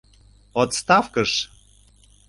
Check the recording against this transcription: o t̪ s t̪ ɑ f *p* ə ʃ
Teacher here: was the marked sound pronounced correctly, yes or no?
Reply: no